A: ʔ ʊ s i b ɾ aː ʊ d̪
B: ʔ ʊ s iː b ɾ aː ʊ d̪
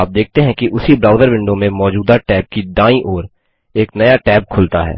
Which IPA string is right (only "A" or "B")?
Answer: A